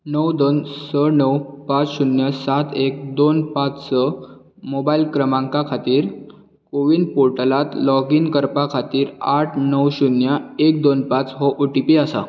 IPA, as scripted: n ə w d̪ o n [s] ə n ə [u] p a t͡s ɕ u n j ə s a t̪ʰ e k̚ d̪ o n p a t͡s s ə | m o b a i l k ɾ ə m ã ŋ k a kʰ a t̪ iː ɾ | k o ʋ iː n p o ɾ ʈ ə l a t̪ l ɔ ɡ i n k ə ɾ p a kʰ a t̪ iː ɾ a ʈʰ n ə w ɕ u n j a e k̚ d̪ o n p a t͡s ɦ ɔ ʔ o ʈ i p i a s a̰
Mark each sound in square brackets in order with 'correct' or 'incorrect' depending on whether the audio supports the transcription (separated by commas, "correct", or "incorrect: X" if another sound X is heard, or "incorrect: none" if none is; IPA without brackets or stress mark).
correct, incorrect: w